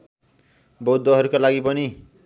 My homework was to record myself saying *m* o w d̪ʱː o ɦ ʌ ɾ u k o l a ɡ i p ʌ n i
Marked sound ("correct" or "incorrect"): incorrect